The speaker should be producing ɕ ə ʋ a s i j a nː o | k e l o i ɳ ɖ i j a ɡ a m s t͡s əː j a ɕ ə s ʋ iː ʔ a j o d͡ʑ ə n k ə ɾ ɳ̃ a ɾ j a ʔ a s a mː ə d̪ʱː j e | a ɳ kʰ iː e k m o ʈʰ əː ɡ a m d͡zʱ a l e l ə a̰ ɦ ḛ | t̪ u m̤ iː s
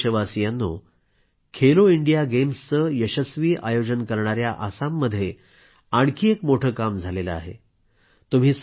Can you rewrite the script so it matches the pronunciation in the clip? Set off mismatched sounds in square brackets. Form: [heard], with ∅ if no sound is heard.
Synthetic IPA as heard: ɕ ə ʋ a s i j a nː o | [kʰ] e l o i ɳ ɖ i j a ɡ [e] m s t͡s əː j [ə] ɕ ə s ʋ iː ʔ a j o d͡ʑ ə n k ə ɾ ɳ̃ a ɾ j a ʔ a s a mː ə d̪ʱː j e | a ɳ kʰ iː e k m o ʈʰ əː [k] a m d͡zʱ a l e l ə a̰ ɦ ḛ | t̪ u m̤ iː s